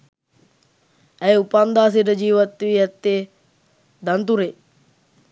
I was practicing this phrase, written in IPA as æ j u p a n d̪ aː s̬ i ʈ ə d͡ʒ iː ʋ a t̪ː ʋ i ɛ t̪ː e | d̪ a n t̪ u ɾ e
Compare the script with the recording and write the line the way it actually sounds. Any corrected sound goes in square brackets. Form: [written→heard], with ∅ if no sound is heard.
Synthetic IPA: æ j u p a n d̪ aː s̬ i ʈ ə d͡ʒ iː ʋ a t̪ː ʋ i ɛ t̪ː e | d̪ a n t̪ u ɾ e